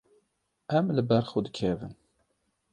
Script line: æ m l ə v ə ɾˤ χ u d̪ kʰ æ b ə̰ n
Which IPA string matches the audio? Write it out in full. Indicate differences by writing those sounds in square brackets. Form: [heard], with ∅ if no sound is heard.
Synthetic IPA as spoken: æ m l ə [b] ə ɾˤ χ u d̪ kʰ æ [v] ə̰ n

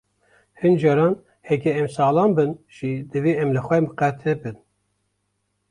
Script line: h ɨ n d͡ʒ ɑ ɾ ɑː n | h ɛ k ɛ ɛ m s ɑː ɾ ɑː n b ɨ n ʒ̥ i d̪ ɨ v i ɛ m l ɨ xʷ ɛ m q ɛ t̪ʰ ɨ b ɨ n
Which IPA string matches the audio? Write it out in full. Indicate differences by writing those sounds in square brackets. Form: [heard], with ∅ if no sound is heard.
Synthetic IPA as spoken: h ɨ n d͡ʒ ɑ ɾ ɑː n | h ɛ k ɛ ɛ m s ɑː [l] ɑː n b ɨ n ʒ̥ i d̪ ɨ v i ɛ m l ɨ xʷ ɛ m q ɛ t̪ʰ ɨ b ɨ n

